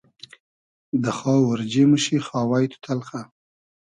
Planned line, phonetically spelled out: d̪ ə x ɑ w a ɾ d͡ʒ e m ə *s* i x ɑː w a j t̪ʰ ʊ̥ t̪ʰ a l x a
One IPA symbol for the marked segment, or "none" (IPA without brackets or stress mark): ʃ